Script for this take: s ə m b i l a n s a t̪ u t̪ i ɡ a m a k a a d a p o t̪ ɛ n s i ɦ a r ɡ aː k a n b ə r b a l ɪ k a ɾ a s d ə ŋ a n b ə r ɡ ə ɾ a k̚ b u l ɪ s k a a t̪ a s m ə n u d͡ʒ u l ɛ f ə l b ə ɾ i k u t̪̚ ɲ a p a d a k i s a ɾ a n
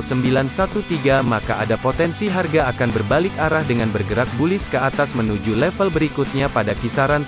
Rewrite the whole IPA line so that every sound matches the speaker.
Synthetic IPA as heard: s ə m b i l a n s a t̪ u t̪ i ɡ a m a k a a d a p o t̪ ɛ n s i ɦ a r ɡ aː k a n b ə r b a l ɪ k a ɾ a h d ə ŋ a n b ə r ɡ ə ɾ a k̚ b u l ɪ s k ə a t̪ a s m ə n u d͡ʒ u l ɛ f ə l b ə ɾ i k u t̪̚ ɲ a p a d a k i s a ɾ a n

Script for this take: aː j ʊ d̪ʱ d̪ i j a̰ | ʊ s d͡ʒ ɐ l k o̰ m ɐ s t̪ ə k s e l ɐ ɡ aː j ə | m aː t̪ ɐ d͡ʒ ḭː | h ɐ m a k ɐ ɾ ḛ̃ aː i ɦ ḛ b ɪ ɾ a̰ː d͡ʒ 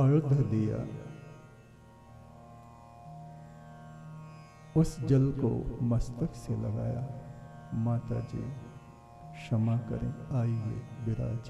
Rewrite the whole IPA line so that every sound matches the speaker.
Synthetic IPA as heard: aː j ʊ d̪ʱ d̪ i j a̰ | ʊ s d͡ʒ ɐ l k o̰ m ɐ s t̪ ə k s e l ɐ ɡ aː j a | m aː t̪ a d͡ʒ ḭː | ʃ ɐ m a k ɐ ɾ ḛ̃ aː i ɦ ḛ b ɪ ɾ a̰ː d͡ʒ

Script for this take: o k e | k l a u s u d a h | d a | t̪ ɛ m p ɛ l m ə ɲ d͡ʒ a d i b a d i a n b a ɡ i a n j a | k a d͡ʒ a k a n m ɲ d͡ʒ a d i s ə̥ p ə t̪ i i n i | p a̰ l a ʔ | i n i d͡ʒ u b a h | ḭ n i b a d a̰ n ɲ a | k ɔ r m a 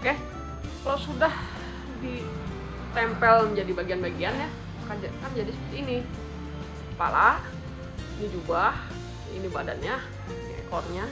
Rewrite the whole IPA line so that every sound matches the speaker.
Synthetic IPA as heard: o k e | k l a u s u d a h | d i | t̪ ɛ m p ɛ l m ə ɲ d͡ʒ a d i b a ɡ i a n b a ɡ i a n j a | k a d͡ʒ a k a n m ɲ d͡ʒ a d i s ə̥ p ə t̪ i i n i | p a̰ l a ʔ | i n i d͡ʒ u b a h | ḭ n i b a d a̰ n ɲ a | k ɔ r ɲ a

